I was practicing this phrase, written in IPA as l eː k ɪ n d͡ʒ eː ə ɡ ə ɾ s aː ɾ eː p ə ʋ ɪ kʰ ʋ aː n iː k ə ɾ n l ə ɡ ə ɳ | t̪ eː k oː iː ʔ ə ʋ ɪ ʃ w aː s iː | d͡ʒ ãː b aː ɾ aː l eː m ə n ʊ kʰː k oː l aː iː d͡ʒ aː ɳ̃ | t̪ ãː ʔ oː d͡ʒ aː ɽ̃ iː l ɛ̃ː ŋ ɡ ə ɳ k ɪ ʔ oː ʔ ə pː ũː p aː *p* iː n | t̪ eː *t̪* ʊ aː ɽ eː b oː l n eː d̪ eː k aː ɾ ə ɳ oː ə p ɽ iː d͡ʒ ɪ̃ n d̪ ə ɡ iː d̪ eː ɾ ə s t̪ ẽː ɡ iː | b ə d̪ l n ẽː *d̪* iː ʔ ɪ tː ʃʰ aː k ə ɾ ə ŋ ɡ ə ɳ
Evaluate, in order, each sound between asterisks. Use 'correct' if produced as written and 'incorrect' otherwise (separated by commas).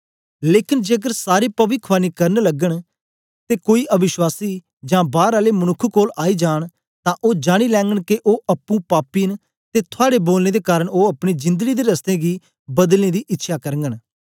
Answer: correct, incorrect, correct